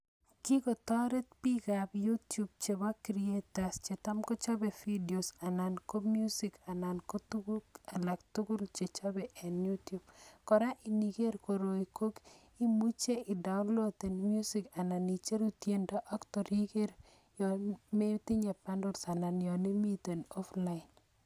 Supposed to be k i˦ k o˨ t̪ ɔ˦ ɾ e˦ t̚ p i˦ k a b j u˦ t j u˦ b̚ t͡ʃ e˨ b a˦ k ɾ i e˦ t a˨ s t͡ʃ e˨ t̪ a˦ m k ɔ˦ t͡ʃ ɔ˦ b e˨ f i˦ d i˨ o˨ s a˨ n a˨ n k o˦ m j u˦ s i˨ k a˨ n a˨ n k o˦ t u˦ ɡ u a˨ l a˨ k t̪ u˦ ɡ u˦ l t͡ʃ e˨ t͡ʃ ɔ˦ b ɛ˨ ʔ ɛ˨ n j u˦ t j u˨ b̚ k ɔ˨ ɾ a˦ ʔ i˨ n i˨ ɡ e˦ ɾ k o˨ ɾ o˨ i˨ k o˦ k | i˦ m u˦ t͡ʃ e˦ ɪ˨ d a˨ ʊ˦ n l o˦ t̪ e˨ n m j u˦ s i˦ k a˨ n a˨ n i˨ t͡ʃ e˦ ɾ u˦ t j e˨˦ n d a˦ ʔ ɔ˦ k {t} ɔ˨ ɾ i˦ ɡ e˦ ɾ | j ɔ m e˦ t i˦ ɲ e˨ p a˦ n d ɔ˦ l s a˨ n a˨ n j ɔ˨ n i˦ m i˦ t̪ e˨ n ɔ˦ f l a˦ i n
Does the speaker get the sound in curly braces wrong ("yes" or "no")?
no